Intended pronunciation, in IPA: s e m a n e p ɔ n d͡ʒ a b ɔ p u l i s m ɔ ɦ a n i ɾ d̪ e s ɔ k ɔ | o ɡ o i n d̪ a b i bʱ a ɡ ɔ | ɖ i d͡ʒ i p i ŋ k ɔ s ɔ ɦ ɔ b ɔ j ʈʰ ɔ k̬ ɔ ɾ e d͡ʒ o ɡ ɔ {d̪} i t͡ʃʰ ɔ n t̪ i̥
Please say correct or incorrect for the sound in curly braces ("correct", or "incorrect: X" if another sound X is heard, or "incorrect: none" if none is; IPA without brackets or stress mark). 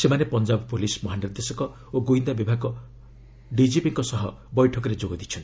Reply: correct